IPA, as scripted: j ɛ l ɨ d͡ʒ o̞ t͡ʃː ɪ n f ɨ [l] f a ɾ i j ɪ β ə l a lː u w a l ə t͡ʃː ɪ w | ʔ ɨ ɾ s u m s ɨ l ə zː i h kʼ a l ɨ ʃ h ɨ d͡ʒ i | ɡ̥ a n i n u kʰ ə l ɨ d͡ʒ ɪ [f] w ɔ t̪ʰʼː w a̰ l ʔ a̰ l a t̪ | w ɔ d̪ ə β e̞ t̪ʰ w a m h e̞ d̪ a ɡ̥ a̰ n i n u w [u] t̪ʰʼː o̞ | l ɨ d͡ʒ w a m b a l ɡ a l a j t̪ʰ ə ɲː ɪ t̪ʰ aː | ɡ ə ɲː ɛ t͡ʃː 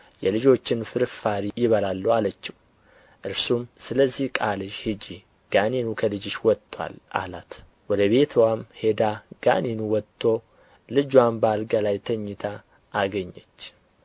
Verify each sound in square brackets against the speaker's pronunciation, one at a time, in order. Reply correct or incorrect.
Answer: incorrect, incorrect, incorrect

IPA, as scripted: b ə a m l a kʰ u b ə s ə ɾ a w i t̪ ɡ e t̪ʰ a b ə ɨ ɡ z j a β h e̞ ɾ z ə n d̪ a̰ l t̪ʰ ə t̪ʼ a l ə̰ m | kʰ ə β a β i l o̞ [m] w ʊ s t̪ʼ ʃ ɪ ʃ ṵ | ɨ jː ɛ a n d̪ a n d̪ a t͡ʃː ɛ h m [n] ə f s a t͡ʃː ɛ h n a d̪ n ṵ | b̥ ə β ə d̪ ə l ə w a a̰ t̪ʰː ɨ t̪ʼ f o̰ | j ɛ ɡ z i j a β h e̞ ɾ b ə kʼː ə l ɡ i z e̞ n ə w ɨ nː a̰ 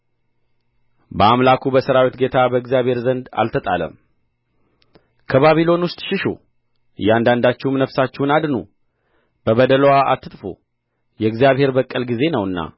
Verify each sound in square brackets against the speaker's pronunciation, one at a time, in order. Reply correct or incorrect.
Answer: incorrect, correct

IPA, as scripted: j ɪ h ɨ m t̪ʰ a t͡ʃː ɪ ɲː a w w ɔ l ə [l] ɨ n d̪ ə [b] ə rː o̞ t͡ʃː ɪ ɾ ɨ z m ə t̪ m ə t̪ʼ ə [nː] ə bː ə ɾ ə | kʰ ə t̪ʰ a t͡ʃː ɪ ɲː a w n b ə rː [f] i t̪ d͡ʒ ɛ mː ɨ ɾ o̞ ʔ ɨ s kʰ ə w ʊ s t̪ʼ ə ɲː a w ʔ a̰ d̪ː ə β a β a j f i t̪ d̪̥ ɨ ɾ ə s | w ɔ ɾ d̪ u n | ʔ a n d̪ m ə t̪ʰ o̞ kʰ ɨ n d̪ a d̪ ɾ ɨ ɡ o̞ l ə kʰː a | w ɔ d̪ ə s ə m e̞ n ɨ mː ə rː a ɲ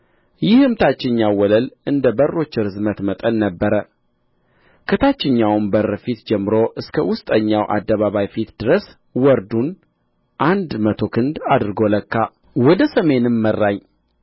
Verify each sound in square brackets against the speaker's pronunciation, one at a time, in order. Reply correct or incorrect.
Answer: correct, correct, correct, correct

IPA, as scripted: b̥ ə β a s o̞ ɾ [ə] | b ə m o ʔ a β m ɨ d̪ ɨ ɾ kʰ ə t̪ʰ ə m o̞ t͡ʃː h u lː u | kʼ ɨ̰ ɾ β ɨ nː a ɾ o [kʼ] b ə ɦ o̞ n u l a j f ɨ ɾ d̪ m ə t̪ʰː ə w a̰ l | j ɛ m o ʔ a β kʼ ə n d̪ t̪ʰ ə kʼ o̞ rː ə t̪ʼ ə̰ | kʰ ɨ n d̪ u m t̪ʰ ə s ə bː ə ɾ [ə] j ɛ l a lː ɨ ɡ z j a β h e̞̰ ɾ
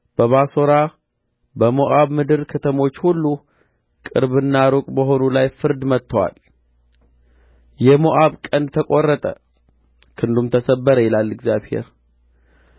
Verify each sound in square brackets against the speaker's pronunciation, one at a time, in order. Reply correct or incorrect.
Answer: incorrect, correct, correct

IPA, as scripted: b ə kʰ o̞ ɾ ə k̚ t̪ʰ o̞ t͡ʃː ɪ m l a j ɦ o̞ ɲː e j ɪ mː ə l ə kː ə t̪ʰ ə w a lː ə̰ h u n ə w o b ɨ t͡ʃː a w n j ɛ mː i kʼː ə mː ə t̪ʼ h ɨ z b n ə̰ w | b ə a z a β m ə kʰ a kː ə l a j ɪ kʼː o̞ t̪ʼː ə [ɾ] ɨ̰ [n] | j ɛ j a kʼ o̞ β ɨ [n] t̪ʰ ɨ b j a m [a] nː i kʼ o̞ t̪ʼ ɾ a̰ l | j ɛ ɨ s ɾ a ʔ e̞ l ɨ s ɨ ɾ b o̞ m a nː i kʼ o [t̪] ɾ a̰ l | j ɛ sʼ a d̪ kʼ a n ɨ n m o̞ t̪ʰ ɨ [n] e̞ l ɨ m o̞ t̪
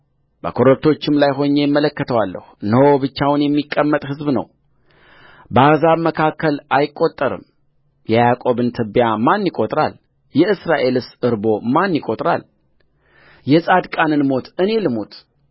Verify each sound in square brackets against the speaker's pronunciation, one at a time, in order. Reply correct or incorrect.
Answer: correct, incorrect, correct, correct, incorrect, correct

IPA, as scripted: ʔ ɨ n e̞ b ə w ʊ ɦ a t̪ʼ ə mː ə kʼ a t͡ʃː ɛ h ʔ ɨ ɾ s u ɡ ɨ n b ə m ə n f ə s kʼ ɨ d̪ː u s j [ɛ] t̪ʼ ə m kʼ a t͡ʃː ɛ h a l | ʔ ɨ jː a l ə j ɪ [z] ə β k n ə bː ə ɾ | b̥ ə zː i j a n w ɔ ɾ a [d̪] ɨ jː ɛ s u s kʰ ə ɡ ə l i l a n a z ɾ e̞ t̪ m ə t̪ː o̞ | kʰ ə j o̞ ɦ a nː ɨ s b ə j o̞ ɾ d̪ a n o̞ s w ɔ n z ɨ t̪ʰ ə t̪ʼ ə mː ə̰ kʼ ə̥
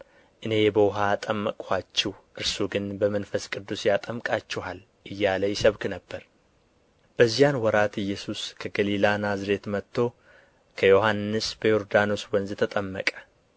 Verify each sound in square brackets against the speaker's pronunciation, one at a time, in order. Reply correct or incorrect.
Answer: incorrect, incorrect, incorrect

